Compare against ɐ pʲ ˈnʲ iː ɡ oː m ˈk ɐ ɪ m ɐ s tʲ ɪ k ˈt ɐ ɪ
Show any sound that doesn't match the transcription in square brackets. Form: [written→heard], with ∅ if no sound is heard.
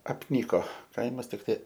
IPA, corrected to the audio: ɐ pʲ ˈnʲ iː [ɡ→k] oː [m→∅] ˈk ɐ ɪ m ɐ s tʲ ɪ k ˈt ɐ ɪ